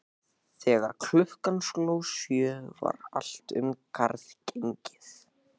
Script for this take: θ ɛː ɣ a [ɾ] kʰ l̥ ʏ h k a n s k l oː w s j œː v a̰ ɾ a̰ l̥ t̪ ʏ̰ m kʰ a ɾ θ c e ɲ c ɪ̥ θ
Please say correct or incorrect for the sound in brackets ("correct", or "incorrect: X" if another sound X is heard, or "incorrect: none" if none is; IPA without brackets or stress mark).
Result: correct